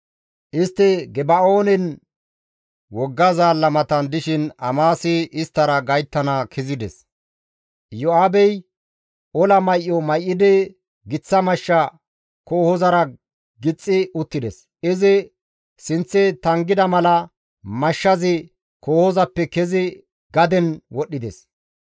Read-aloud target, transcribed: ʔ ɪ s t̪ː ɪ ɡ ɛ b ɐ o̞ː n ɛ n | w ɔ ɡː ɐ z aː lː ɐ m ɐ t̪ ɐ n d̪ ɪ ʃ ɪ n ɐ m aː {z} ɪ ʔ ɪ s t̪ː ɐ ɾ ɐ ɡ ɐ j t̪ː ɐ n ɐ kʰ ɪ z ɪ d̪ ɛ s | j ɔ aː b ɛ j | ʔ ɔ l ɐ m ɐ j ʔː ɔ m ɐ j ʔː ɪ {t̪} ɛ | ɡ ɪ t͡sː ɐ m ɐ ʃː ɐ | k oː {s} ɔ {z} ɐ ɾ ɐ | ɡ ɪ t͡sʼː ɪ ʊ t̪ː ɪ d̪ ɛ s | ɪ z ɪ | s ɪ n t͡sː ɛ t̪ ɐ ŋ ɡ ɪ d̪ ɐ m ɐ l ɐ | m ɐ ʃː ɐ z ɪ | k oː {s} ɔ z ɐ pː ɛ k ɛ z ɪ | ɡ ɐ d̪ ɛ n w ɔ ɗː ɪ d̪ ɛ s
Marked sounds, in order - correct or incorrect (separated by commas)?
incorrect, incorrect, incorrect, correct, incorrect